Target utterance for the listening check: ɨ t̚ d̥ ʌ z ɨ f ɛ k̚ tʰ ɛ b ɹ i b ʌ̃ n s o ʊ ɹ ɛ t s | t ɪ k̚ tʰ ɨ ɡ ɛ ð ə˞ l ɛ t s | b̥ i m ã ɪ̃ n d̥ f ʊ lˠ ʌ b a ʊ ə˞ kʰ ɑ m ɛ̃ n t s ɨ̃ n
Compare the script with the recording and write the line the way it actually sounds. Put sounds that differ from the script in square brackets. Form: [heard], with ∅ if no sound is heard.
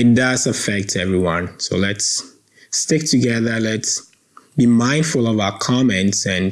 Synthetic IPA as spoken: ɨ t̚ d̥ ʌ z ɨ f ɛ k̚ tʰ ɛ [v] ɹ i [w] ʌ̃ n s o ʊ [l] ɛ t s | t ɪ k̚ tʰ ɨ ɡ ɛ ð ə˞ l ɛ t s | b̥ i m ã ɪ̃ n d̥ f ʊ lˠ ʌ [v] a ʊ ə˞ kʰ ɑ m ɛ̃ n t s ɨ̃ n

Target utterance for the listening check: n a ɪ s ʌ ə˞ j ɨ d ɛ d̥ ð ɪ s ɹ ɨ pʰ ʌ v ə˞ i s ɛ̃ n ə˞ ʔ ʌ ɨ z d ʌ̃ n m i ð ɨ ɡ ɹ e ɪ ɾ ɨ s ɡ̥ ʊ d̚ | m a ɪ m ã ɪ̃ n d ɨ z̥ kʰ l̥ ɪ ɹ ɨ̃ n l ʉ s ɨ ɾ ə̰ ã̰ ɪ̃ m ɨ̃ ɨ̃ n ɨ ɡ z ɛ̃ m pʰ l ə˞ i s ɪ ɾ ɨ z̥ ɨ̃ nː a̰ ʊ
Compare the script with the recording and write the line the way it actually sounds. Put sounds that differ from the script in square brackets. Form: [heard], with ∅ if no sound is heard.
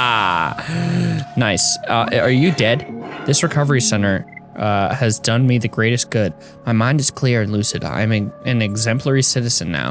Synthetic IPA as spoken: n a ɪ s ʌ ə˞ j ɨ d ɛ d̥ ð ɪ s ɹ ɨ [kʰ] ʌ v ə˞ i s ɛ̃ n ə˞ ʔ ʌ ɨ z d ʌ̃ n m i ð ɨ ɡ ɹ e ɪ ɾ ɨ s ɡ̥ ʊ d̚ | m a ɪ m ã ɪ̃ n d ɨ z̥ kʰ l̥ ɪ ɹ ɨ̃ n l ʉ s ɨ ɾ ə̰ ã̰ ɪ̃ m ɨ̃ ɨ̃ n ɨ ɡ z ɛ̃ m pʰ l ə˞ i s ɪ ɾ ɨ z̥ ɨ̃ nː a̰ ʊ

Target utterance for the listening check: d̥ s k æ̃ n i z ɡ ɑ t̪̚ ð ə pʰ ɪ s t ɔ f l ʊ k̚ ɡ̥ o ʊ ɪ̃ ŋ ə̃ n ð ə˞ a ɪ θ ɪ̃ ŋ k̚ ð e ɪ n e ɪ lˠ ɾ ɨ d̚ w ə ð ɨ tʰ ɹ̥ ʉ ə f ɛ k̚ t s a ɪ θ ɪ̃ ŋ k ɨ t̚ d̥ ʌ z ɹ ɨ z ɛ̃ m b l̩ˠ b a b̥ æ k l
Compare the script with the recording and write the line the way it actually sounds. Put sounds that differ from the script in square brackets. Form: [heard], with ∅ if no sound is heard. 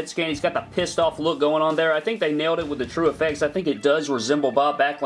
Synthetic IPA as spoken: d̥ s k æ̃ n i z ɡ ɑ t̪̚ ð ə pʰ ɪ s t ɔ f l ʊ k̚ ɡ̥ o ʊ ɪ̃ ŋ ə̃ n ð ə˞ a ɪ θ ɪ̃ ŋ k̚ ð e ɪ n e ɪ lˠ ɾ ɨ [t̚] w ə ð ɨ tʰ ɹ̥ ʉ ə f ɛ k̚ t s a ɪ θ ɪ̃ ŋ k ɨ t̚ d̥ ʌ z ɹ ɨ z ɛ̃ m b l̩ˠ b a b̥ æ k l

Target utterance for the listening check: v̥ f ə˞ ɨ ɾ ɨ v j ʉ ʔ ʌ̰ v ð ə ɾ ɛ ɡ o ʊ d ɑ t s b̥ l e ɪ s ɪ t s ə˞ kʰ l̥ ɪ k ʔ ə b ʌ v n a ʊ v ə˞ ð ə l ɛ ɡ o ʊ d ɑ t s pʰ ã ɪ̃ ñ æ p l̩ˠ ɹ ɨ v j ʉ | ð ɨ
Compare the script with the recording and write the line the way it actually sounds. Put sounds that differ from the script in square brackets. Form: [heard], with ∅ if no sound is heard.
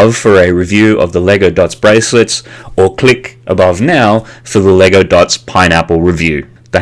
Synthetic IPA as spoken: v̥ f ə˞ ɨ [ɹ] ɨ v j ʉ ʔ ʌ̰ v ð ə [l] ɛ ɡ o ʊ d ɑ t s b̥ [ɹ] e ɪ s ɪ t s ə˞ kʰ l̥ ɪ k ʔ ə b ʌ v n a ʊ [f] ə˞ ð ə l ɛ ɡ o ʊ d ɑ t s pʰ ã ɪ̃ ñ æ p l̩ˠ ɹ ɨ v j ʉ | ð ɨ

